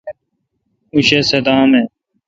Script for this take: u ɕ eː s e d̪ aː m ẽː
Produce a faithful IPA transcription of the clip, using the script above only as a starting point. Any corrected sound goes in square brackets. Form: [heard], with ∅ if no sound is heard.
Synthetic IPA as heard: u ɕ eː s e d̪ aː m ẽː